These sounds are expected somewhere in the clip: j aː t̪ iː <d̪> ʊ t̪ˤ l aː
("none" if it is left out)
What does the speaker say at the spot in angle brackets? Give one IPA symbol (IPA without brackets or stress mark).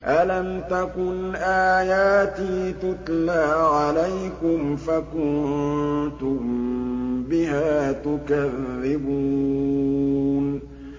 t̪